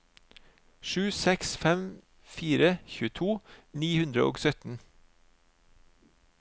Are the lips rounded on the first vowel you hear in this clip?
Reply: yes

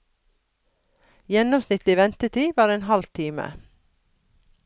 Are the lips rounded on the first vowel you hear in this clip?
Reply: no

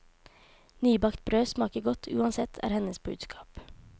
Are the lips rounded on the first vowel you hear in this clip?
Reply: yes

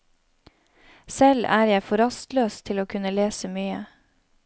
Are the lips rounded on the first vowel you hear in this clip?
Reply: no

